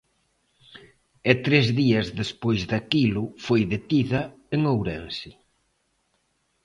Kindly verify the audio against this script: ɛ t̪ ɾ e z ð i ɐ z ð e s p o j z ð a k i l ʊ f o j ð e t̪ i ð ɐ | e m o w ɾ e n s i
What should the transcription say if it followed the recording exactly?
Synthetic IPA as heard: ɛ t̪ ɾ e z ð i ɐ z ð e s p o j z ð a k i l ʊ f o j ð e t̪ i ð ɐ | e ŋ o w ɾ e n s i